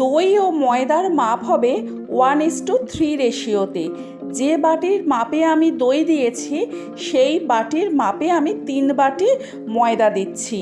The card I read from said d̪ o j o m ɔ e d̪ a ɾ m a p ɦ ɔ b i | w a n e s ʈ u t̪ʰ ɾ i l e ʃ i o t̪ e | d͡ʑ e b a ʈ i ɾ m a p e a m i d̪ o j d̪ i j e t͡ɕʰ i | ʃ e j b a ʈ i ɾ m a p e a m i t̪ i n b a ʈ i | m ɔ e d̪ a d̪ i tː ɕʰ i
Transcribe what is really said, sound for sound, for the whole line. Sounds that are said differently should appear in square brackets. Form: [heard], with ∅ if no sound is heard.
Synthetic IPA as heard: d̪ o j o m ɔ e d̪ a ɾ m a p ɦ ɔ b [e] | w a n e s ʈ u t̪ʰ ɾ i [ɾ] e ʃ i o t̪ e | d͡ʑ e b a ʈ i ɾ m a p e a m i d̪ o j d̪ i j e t͡ɕʰ i | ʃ e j b a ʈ i ɾ m a p e a m i t̪ i n b a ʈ i | m ɔ e d̪ a d̪ i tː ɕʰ i

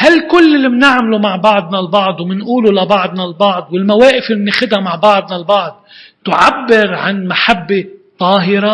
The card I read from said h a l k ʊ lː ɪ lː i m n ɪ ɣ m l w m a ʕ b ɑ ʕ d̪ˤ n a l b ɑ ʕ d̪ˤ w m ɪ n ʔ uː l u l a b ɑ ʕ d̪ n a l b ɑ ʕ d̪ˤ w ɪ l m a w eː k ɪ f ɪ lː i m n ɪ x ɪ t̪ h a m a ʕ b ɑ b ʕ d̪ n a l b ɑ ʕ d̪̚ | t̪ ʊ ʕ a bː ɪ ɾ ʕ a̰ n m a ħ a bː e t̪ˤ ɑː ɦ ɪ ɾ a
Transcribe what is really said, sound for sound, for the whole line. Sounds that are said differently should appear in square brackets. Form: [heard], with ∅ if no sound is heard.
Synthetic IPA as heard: h a l k ʊ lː ɪ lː i m n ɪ [ʕ] m l [u] m a ʕ b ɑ ʕ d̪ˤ n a l b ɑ ʕ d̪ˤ w m ɪ n ʔ uː l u l a b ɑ ʕ d̪ n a l b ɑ ʕ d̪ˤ w ɪ l m a w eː [ʔ] ɪ f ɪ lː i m n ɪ x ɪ [d̪] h a m a ʕ b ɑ [∅] ʕ d̪ n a l b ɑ ʕ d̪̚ | t̪ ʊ ʕ a bː ɪ ɾ ʕ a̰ n m a ħ a bː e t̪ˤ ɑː ɦ ɪ ɾ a

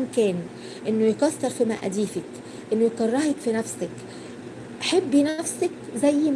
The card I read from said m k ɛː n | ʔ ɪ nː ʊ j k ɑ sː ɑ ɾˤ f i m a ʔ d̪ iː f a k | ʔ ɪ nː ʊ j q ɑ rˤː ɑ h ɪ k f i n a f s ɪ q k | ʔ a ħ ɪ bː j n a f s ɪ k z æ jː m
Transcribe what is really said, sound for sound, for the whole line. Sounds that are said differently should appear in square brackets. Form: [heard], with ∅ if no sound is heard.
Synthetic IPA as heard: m k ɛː n | ʔ ɪ nː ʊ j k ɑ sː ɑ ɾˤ f i m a ʔ d̪ iː f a k | ʔ ɪ nː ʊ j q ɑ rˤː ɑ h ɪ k f i n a f s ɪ [∅] k | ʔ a ħ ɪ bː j n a f s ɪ k z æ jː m

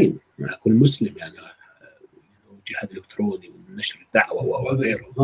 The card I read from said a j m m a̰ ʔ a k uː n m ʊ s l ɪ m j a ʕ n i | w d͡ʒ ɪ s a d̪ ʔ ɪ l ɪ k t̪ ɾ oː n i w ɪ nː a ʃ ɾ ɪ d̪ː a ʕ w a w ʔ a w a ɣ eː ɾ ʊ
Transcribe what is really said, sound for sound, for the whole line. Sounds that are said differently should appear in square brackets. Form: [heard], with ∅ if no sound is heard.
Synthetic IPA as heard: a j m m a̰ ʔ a k uː n m ʊ s l ɪ m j a ʕ n i | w d͡ʒ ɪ [h] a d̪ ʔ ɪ l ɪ k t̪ ɾ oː n i w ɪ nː a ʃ ɾ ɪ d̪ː a ʕ w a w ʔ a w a ɣ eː ɾ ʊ

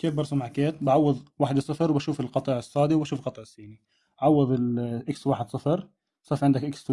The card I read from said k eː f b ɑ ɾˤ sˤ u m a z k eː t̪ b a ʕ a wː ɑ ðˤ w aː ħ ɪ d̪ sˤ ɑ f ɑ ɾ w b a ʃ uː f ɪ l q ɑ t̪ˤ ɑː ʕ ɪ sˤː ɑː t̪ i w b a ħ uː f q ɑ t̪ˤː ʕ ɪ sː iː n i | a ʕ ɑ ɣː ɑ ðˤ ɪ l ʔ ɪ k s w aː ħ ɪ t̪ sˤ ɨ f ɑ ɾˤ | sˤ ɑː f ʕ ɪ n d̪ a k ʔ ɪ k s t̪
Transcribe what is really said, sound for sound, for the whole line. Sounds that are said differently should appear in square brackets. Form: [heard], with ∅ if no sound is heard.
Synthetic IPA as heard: k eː f b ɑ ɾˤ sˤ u m a [ʕ] k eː t̪ b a ʕ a wː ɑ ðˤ w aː ħ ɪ d̪ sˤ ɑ f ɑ ɾ w b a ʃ uː f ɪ l q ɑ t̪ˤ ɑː ʕ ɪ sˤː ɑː [d̪] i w b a [ʃ] uː f q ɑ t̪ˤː ʕ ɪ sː iː n i | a ʕ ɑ [wː] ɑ ðˤ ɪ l ʔ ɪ k s w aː ħ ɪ [d̪] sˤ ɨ f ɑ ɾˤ | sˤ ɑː f ʕ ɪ n d̪ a k ʔ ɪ k s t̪

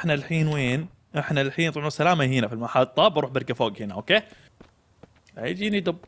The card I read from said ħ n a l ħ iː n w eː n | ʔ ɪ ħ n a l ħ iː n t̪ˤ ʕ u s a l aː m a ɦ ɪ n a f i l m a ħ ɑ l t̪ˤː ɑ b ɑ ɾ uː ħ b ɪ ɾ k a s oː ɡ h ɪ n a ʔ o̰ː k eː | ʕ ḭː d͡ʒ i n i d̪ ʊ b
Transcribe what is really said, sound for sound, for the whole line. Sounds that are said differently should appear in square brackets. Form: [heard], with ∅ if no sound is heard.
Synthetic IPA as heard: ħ n a l ħ iː n w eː n | ʔ ɪ ħ n a l ħ iː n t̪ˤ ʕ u s a l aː m a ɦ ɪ n a f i l m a ħ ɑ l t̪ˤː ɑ b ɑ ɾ uː ħ b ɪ ɾ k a [f] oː ɡ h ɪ n a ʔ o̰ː k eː | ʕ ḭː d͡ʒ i n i d̪ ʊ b

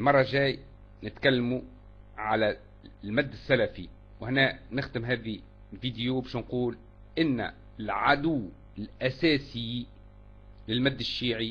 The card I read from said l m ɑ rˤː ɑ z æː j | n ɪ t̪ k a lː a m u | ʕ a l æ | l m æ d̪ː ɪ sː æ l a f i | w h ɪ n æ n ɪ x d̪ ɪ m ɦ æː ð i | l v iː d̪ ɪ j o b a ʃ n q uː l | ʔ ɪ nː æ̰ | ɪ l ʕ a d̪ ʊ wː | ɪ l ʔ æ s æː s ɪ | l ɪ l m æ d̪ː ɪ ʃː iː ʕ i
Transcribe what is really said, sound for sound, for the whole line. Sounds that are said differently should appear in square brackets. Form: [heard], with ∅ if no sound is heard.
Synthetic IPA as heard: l m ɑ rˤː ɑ [ʒ] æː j | n ɪ t̪ k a lː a m u | ʕ a l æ | l m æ d̪ː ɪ sː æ l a f i | w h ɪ n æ n ɪ x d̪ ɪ m ɦ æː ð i | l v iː d̪ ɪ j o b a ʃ n q uː l | ʔ ɪ nː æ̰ | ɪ l ʕ a d̪ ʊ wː | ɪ l ʔ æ s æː s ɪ | l ɪ l m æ d̪ː ɪ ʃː iː ʕ i

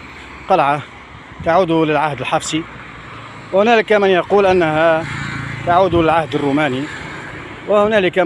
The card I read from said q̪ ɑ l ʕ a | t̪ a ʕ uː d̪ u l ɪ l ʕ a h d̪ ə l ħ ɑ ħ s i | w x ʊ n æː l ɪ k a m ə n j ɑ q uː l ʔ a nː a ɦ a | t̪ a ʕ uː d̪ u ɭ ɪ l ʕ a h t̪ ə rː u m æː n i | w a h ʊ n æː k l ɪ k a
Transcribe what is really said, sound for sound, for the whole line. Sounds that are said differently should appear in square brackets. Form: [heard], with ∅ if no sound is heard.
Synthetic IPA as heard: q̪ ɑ l ʕ a | t̪ a ʕ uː d̪ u l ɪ l ʕ a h d̪ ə l ħ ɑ [f] s i | w [h] ʊ n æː l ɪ k a m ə n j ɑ q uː l ʔ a nː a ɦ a | t̪ a ʕ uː d̪ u [l] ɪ l ʕ a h [d̪] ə rː u m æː n i | w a h ʊ n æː [∅] l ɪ k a

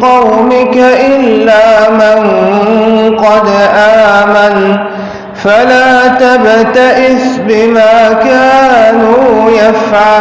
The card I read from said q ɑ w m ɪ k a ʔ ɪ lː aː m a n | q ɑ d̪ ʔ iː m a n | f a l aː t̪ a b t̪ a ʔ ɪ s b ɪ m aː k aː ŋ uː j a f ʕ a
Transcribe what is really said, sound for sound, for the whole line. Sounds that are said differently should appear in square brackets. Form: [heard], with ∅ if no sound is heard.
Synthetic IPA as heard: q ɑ w m ɪ k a ʔ ɪ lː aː m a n | q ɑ d̪ ʔ [aː] m a n | f a l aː t̪ a b t̪ a ʔ ɪ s b ɪ m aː k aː [n] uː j a f ʕ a

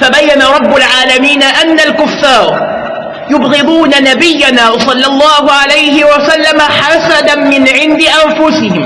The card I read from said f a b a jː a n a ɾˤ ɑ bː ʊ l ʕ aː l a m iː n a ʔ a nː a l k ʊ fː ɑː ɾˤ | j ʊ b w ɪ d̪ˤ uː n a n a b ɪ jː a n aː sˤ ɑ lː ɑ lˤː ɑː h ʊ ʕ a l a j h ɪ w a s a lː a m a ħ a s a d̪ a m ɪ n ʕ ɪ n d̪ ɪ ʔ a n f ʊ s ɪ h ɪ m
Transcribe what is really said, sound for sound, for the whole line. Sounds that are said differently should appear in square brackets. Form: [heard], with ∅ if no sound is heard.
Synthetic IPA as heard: f a b a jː a n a ɾˤ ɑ bː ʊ l ʕ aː l a m iː n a ʔ a nː a l k ʊ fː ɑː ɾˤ | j ʊ b [ɣ] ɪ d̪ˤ uː n a n a b ɪ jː a n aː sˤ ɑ lː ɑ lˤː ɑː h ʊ ʕ a l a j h ɪ w a s a lː a m a ħ a s a d̪ a m ɪ n ʕ ɪ n d̪ ɪ ʔ a n f ʊ s ɪ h ɪ m

